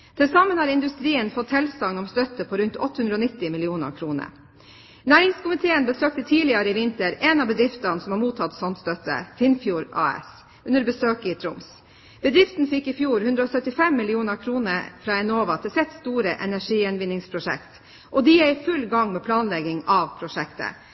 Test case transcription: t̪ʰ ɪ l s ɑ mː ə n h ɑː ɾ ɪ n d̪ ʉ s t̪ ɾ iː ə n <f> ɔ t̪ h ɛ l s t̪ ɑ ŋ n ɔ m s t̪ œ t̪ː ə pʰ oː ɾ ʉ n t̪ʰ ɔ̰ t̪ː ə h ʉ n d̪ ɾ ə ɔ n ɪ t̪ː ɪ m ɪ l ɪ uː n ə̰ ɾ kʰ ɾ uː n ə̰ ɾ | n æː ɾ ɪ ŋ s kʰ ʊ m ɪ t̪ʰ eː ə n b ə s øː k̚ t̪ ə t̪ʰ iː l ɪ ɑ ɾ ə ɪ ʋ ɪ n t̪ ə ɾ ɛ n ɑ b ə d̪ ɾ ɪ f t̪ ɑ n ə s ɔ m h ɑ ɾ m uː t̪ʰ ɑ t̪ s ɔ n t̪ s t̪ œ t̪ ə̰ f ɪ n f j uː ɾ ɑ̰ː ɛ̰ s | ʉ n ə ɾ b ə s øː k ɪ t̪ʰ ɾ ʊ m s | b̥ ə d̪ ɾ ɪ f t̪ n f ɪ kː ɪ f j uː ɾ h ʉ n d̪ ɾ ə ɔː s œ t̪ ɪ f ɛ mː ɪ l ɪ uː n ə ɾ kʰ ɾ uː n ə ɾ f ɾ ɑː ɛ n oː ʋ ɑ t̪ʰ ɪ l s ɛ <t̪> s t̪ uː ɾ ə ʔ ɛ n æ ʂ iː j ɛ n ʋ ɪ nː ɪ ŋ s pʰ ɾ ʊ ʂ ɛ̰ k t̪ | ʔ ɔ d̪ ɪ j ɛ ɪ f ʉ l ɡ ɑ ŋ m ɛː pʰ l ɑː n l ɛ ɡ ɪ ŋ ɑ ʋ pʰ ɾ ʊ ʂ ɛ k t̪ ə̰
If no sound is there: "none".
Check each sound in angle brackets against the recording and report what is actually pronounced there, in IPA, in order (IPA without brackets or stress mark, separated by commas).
f, t̪